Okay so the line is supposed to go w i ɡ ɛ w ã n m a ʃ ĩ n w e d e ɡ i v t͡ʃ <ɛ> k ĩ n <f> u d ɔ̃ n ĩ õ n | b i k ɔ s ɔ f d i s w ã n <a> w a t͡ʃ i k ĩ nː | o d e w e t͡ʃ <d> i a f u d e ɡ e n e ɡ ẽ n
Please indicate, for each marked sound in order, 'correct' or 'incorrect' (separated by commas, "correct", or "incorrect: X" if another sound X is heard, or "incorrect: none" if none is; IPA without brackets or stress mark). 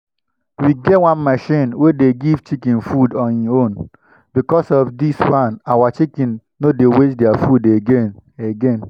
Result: incorrect: i, correct, correct, correct